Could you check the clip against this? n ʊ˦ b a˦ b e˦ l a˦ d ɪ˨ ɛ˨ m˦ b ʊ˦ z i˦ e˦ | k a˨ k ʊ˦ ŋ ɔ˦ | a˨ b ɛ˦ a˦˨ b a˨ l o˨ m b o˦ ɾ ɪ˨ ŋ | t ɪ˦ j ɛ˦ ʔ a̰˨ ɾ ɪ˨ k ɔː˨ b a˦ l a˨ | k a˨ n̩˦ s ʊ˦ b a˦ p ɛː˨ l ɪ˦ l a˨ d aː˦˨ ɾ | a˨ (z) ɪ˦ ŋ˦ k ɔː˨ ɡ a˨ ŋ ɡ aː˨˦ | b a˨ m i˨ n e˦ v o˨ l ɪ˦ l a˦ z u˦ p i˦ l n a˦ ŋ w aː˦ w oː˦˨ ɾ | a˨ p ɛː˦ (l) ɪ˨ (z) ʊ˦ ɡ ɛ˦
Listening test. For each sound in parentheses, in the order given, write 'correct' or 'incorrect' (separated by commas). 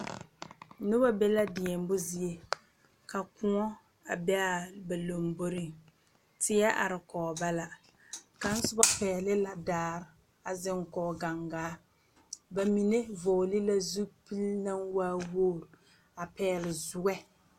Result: correct, correct, correct